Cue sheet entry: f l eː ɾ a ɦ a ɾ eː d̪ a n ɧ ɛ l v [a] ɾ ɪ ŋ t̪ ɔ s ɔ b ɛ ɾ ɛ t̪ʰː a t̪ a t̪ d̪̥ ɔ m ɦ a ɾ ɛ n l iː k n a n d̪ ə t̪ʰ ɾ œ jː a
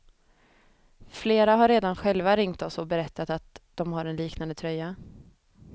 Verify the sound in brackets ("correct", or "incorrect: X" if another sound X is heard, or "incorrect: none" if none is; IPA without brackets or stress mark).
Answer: correct